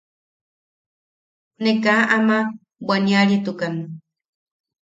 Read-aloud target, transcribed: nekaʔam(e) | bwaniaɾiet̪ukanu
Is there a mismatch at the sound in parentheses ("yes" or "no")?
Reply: yes